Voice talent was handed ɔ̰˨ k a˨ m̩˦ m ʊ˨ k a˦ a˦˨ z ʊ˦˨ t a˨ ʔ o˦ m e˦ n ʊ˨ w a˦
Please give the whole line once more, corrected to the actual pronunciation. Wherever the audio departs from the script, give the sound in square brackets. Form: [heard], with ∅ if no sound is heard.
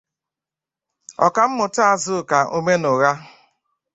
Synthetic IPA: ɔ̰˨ k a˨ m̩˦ m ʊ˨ [t] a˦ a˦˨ z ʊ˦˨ [k] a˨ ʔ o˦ m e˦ n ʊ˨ [ɣ] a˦

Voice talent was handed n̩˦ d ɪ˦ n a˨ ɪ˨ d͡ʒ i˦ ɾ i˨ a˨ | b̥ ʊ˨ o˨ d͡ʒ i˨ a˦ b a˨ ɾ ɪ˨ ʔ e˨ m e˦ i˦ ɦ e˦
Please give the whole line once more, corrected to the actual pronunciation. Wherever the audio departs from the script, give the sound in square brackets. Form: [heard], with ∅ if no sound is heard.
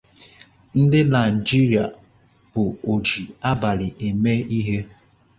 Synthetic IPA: n̩˦ d ɪ˦ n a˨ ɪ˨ d͡ʒ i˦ ɾ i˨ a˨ | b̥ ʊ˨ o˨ d͡ʒ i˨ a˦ b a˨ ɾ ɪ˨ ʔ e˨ m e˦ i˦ ɦ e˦

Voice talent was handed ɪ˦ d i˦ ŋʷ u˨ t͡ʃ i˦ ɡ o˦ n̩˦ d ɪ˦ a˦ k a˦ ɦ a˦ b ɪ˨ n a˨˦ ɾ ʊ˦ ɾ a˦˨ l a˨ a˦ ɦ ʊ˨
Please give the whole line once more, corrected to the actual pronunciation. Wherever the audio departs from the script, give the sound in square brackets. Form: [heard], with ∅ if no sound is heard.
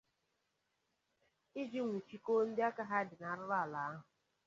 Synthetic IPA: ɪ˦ [d͡ʒ] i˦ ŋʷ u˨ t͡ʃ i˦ [k] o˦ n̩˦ d ɪ˦ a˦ k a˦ ɦ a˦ [d] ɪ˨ n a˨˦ ɾ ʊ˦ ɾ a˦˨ l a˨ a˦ ɦ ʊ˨

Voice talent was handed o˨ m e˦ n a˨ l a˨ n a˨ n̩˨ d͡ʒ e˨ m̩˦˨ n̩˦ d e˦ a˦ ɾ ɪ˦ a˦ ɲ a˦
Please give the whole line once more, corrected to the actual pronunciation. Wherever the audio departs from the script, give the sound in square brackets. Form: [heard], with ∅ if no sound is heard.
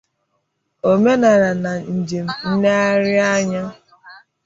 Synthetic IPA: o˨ m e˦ n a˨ [ɾ] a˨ n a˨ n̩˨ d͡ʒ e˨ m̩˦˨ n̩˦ [n] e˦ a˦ ɾ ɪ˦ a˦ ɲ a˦

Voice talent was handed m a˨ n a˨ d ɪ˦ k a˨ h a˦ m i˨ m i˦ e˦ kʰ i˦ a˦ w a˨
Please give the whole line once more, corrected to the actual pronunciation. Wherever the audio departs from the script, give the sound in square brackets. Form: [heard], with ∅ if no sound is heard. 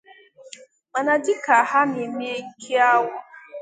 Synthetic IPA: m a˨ n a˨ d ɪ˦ k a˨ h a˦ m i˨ m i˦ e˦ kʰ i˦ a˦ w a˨

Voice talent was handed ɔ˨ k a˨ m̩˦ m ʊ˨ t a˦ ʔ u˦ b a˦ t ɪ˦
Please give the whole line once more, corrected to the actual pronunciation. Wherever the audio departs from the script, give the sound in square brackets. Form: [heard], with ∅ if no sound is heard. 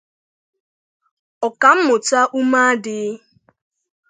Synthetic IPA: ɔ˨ k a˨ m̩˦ m ʊ˨ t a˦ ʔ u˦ [m] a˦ [d] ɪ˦

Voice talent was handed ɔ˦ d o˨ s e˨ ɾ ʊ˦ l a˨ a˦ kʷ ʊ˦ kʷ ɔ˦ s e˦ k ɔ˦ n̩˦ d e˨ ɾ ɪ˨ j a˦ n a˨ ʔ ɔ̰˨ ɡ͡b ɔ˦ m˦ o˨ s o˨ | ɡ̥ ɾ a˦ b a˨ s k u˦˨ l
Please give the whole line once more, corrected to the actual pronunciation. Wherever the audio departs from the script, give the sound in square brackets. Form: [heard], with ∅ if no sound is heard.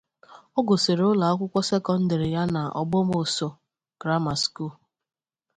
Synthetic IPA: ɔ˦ [ɡ] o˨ s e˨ ɾ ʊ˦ l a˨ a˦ kʷ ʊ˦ kʷ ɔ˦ s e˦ k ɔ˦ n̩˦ d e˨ ɾ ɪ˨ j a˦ n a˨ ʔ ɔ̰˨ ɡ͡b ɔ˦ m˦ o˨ s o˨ | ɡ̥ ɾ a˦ [m] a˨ s k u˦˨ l

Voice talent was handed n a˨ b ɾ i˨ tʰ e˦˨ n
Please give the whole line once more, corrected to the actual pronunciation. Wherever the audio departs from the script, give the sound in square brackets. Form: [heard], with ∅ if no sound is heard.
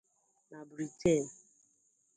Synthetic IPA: n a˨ b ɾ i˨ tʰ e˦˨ n

